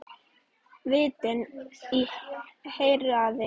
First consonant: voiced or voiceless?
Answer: voiced